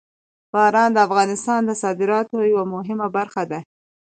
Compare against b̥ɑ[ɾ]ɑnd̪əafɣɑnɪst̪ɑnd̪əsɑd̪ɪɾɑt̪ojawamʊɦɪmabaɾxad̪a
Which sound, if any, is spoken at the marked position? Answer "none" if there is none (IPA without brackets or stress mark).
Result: ɾ